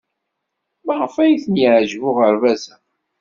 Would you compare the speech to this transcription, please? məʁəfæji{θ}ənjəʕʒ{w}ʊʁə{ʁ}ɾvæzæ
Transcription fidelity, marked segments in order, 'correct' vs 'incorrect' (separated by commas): correct, incorrect, incorrect